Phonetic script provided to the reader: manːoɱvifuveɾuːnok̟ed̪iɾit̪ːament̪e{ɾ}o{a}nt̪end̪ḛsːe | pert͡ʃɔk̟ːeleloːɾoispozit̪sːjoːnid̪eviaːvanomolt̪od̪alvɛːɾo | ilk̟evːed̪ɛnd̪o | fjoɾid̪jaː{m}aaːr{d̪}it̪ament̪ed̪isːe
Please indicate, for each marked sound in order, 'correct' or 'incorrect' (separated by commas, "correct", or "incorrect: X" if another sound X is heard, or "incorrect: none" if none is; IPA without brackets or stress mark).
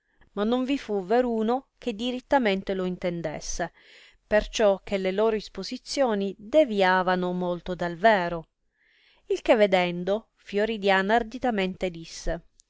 incorrect: l, incorrect: i, incorrect: n, correct